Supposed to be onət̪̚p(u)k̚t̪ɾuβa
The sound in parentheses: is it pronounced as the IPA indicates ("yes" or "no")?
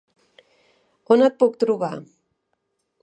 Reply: yes